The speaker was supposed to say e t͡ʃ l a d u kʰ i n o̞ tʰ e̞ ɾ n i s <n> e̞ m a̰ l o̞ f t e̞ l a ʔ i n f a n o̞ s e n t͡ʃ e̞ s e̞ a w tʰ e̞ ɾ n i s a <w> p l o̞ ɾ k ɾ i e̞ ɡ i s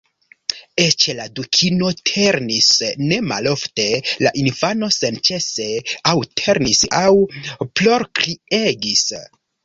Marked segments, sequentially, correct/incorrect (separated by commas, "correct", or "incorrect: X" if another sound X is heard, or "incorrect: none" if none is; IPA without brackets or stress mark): correct, correct